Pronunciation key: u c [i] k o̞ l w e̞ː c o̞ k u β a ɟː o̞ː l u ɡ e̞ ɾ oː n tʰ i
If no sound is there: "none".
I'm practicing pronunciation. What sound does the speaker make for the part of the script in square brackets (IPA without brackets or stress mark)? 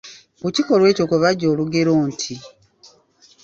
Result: i